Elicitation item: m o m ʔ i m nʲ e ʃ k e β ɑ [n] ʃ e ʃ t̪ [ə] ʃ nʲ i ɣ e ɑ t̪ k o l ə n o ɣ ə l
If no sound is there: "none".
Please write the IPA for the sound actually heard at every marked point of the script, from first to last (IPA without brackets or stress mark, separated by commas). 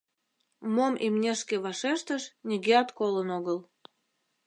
none, ə